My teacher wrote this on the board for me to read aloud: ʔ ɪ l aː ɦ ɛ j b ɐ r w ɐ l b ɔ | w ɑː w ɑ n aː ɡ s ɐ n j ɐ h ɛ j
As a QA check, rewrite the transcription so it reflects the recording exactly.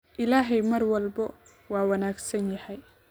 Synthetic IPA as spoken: ʔ ɪ l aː ɦ ɛ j m ɐ r w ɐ l b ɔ | w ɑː w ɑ n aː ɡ s ɐ n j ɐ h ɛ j